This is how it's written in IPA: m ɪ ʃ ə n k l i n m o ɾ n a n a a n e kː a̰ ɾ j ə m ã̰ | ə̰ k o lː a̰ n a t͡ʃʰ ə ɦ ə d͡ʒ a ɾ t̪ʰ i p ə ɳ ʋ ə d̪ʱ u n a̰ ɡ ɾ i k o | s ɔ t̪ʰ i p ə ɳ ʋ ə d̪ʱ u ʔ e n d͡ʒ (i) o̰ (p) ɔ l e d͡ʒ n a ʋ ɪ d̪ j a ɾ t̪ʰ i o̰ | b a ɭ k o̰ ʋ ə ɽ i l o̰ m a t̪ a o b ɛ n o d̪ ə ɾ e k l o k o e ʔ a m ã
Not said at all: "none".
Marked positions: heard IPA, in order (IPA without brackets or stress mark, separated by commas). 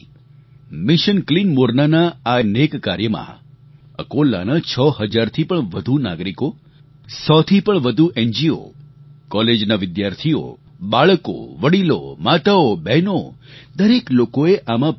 i, k